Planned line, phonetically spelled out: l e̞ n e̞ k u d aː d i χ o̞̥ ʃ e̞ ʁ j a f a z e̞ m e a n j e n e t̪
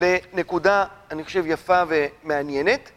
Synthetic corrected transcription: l e̞ n e̞ k u d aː n i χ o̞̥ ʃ e̞ v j a f a v e̞ m e a n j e n e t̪